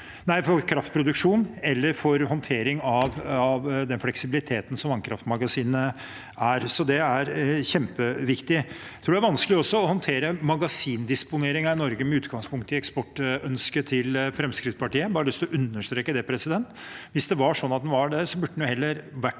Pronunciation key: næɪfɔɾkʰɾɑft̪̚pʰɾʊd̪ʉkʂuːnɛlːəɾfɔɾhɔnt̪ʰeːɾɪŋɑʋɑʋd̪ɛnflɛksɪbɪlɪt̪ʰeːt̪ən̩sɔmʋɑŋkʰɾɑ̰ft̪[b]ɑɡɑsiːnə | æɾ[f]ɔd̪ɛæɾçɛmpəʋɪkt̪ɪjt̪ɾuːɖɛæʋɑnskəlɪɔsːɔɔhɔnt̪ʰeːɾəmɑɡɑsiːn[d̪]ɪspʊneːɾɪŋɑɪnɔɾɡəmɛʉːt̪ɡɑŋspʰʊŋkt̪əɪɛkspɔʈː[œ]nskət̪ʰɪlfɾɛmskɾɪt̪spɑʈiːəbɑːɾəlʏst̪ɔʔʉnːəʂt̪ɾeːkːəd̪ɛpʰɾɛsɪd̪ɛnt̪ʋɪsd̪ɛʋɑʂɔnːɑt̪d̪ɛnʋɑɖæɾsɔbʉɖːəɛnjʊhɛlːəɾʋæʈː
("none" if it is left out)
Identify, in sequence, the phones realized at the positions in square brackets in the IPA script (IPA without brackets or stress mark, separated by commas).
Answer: m, s, d̪, œ